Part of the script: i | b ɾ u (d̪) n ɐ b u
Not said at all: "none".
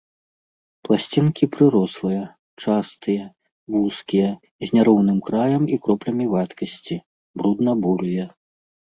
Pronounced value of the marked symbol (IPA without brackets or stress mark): d̪